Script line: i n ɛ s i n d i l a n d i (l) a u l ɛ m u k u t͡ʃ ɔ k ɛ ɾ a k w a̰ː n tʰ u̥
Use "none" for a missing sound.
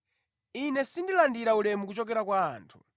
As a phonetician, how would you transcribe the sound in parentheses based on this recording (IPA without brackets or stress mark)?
ɾ